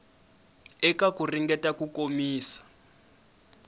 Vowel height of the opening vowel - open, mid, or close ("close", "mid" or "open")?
mid